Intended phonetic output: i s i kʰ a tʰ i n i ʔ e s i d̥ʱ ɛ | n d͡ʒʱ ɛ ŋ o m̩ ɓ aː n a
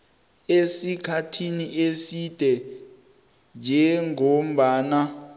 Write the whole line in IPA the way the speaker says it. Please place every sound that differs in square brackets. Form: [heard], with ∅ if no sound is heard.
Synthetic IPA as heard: [e] s i kʰ a tʰ i n i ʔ e s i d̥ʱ ɛ | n d͡ʒʱ ɛ ŋ o m̩ ɓ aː n a